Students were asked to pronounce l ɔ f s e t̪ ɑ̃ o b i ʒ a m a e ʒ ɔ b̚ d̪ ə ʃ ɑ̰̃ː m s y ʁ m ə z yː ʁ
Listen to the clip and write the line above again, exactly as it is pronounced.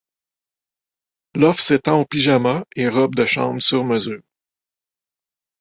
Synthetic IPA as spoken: l ɔ f s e t̪ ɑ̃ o p i ʒ a m a e ʁ ɔ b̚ d̪ ə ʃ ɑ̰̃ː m s y ʁ m ə z yː ʁ